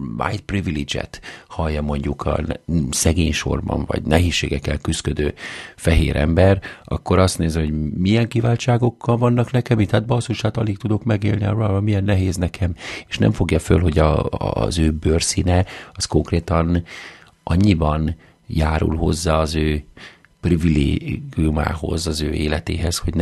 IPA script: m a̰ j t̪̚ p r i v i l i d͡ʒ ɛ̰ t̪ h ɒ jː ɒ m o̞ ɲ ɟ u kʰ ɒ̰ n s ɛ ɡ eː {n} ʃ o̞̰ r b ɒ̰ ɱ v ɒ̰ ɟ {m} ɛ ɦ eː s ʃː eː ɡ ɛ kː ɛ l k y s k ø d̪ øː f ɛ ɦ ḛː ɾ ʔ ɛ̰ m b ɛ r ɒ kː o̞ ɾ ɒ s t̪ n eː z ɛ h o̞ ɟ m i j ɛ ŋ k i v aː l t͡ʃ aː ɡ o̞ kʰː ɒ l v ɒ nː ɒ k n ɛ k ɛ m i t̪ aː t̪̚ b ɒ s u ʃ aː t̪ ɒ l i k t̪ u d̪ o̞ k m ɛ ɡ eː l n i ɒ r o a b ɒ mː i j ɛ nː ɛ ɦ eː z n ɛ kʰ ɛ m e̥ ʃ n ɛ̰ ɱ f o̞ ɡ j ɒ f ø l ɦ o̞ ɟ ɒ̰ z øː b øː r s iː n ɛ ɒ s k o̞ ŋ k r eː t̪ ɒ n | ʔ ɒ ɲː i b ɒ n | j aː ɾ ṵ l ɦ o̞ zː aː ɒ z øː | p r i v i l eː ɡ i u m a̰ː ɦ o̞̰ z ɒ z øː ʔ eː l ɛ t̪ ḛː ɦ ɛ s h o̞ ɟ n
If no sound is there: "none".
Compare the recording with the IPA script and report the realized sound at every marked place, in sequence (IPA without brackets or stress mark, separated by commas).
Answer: ɲ, n